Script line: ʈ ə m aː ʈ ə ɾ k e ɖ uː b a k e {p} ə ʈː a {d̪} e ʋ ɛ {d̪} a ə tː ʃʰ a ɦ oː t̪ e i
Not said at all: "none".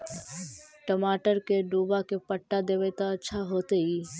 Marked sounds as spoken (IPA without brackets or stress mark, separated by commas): p, d̪, t̪